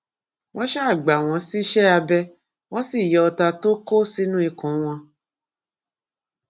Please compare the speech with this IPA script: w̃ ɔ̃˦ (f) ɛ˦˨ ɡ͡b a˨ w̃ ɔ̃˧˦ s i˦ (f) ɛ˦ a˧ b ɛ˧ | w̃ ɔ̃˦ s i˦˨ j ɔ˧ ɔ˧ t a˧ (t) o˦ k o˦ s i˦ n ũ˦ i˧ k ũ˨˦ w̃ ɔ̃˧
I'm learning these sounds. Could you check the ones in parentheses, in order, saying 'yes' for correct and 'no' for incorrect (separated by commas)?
no, no, yes